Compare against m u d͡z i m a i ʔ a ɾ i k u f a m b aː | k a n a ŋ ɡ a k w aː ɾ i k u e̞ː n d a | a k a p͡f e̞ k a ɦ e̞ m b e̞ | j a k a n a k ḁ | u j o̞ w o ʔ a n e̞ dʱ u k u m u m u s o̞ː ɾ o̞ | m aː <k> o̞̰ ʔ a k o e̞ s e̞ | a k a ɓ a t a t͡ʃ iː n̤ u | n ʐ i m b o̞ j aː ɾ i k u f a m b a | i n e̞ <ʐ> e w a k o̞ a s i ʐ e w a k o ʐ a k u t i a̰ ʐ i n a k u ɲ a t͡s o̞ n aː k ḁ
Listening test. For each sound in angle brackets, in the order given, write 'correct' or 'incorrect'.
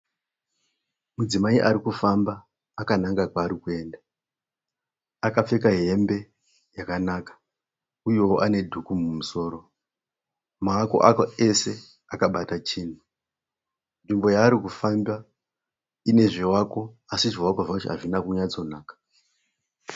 correct, correct

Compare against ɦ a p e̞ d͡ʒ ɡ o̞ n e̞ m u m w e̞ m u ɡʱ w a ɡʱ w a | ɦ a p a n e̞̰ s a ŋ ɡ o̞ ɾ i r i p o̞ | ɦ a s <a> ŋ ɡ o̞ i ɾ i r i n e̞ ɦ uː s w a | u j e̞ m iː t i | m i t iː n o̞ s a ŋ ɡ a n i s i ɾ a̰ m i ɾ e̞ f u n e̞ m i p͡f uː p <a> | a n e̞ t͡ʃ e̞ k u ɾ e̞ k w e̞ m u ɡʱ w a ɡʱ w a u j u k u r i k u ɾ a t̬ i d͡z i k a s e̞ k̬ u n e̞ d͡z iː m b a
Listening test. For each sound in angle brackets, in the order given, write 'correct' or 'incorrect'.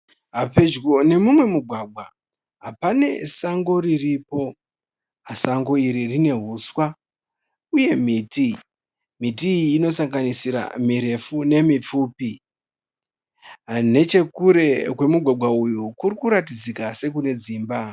correct, incorrect

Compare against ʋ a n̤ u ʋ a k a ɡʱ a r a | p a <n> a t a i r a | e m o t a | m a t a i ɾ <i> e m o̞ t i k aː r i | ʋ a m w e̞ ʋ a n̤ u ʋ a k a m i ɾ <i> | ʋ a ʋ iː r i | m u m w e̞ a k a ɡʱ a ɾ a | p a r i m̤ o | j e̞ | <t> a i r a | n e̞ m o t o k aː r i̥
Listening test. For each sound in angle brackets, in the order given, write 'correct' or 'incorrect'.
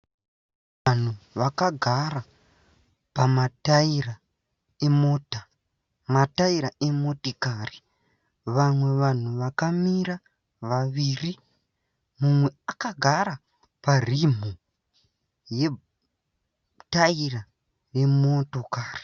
incorrect, incorrect, incorrect, correct

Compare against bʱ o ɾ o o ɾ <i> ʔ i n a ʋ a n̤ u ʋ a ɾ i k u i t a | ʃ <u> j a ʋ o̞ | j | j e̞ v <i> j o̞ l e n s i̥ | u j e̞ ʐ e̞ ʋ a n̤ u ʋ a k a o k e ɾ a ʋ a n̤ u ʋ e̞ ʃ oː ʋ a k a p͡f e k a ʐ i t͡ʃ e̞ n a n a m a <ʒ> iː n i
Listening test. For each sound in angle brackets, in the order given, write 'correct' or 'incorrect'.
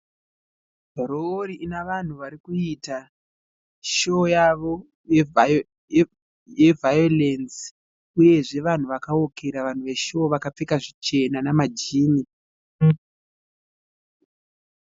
correct, incorrect, incorrect, incorrect

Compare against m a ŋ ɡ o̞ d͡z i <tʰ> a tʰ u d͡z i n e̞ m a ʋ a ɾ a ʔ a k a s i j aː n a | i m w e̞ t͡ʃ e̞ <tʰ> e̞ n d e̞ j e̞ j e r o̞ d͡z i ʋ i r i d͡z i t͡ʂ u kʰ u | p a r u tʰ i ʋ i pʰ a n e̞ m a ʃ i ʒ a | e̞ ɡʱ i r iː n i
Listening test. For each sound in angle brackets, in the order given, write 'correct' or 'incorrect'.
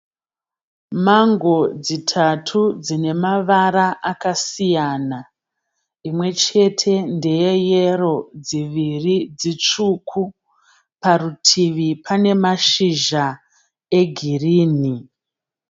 correct, correct

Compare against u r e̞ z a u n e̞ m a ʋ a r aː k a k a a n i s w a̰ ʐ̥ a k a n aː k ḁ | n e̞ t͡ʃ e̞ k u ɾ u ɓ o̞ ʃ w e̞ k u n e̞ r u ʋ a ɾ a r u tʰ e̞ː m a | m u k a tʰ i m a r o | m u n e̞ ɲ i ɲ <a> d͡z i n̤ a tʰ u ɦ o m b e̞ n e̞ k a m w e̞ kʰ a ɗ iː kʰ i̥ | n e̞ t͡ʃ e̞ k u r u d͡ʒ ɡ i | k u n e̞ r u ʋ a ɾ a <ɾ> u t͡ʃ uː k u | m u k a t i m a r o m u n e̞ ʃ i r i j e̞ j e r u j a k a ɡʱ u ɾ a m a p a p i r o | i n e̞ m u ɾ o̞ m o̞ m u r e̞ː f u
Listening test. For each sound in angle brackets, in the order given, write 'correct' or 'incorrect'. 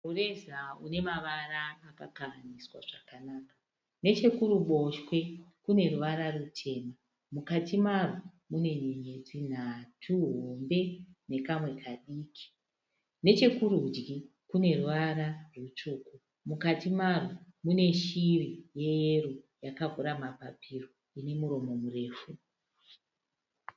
incorrect, incorrect

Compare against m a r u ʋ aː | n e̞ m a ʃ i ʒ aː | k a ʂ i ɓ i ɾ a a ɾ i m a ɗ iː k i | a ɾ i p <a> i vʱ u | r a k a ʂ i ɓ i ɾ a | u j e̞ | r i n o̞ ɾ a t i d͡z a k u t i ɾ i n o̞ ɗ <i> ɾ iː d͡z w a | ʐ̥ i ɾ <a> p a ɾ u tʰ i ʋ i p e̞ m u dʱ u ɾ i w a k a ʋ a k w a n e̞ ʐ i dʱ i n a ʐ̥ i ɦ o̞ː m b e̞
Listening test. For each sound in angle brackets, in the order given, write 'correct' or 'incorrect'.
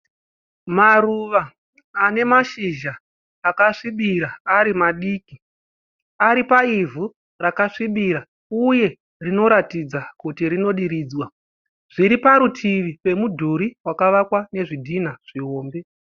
correct, correct, incorrect

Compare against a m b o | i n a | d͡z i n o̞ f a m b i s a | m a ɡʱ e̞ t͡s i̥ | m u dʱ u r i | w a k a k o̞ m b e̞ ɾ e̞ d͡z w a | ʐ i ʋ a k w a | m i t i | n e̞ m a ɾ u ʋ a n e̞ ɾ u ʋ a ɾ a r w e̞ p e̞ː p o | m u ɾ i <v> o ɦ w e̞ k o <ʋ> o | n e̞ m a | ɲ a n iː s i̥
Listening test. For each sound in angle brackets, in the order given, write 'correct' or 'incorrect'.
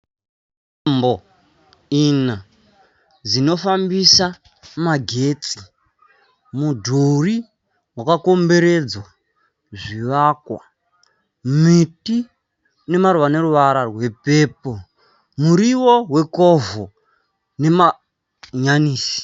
incorrect, incorrect

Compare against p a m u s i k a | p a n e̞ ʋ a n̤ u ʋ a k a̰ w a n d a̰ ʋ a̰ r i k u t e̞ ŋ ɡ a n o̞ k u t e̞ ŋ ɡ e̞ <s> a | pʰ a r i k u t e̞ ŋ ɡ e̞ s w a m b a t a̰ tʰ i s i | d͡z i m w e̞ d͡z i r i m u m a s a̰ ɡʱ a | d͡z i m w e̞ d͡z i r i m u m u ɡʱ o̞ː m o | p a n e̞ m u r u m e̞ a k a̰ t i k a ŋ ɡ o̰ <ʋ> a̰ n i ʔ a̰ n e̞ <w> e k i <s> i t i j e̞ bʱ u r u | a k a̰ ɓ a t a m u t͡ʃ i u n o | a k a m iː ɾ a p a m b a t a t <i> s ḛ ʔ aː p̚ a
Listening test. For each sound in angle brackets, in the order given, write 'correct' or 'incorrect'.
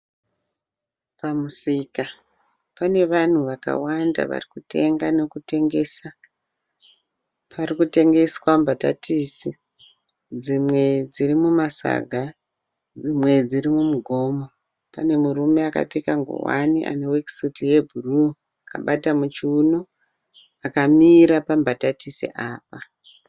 correct, incorrect, correct, correct, correct

